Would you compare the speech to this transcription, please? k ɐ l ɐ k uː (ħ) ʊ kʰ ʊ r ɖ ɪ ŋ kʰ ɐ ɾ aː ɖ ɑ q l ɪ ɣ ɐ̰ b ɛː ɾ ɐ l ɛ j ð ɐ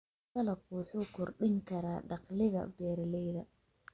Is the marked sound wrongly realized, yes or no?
no